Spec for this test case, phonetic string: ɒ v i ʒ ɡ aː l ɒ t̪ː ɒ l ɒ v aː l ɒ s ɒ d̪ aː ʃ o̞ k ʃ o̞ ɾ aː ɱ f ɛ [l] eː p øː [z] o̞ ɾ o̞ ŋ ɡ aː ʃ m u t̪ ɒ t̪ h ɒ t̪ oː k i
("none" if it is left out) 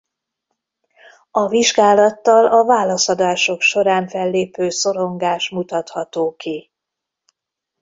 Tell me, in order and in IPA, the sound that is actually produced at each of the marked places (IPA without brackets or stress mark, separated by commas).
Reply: lː, s